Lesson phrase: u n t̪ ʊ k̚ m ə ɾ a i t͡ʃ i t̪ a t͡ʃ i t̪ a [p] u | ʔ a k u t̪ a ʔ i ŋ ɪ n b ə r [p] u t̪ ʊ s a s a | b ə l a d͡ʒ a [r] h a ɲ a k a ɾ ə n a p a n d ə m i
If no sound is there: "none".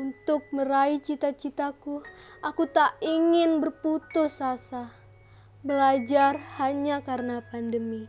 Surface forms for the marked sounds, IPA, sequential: k, p, r

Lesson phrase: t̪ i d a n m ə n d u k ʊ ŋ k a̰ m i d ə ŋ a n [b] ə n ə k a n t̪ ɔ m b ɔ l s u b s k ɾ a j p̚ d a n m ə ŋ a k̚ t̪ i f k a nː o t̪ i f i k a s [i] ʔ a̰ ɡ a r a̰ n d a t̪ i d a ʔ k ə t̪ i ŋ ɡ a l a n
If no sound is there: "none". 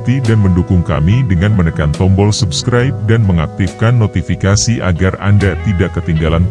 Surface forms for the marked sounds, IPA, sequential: m, i

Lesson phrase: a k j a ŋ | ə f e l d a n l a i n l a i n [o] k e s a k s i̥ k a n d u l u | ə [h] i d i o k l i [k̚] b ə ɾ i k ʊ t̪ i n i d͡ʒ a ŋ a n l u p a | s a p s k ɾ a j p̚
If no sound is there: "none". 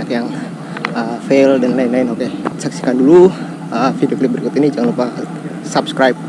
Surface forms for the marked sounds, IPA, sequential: o, f, p̚

